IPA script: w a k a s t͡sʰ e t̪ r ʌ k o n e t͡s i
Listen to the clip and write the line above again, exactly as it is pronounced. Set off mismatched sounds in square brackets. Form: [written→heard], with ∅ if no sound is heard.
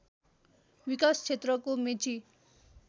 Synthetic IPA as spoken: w [a→i] k a s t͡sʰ e t̪ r ʌ k o [n→m] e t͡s i